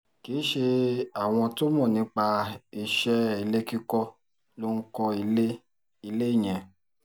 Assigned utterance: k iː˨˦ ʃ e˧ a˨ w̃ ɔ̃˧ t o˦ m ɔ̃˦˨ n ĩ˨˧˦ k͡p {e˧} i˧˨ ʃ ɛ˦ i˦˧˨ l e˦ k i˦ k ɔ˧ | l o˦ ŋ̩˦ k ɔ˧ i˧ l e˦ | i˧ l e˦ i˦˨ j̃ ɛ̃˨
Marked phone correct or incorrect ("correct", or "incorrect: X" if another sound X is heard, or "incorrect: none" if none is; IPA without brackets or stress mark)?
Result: incorrect: a˧